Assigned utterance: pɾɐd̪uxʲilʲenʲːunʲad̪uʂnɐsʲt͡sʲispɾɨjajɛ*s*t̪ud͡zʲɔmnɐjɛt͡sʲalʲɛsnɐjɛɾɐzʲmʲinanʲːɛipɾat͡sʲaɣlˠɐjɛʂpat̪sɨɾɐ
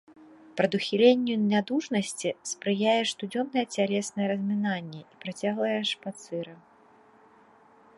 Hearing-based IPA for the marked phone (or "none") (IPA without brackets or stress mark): ʂ